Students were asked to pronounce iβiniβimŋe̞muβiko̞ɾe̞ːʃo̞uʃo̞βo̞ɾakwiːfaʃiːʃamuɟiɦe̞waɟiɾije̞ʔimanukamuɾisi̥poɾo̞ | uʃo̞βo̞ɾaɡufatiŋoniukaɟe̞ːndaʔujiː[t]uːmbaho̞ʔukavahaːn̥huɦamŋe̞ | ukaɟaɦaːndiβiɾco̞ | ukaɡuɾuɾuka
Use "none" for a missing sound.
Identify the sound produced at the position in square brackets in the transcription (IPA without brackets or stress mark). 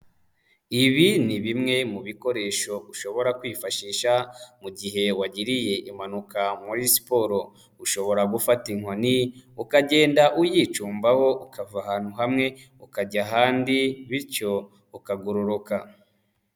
t͡ʃ